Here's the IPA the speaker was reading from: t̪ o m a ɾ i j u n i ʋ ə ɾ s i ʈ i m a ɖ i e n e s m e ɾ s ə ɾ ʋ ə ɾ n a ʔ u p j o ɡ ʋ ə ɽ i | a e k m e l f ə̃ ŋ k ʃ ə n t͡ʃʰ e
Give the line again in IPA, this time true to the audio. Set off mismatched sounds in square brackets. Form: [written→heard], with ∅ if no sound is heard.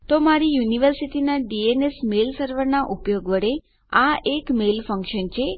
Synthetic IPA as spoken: t̪ o m a ɾ i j u n i ʋ ə ɾ s i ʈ i [m→n] a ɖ i e n e s m e [ɾ→l] s ə ɾ ʋ ə ɾ n a ʔ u p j o ɡ ʋ ə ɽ [i→e] | a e k m e l f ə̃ ŋ k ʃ ə n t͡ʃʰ e